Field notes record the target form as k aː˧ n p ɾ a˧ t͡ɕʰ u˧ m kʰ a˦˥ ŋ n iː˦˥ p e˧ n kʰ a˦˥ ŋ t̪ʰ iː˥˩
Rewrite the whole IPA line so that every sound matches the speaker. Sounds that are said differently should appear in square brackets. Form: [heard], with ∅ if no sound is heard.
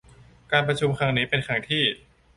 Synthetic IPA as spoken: k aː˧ n p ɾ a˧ t͡ɕʰ u˧ m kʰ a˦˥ ŋ n iː˦˥ p e˧ n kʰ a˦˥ ŋ t̪ʰ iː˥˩